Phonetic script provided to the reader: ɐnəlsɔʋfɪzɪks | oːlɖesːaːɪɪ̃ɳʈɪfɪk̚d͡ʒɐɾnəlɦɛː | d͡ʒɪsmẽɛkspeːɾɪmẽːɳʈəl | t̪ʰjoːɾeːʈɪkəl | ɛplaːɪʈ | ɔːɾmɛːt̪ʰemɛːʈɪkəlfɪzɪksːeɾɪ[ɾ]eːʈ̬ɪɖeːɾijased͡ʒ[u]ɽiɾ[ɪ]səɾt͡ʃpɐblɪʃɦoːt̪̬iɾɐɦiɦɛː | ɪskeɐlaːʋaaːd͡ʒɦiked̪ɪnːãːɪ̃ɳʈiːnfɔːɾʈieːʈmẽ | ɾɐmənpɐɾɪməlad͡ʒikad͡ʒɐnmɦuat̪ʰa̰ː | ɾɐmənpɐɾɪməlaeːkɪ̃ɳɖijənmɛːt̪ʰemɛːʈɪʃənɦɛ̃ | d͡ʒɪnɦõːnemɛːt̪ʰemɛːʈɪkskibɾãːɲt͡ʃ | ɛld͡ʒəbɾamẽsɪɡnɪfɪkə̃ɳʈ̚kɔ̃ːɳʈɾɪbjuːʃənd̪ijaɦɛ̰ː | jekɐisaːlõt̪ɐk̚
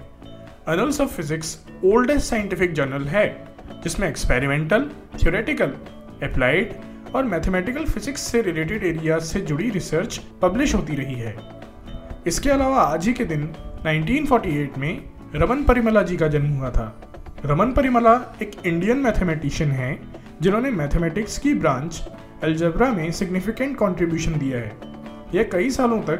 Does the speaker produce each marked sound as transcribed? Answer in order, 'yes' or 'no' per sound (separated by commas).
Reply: no, no, yes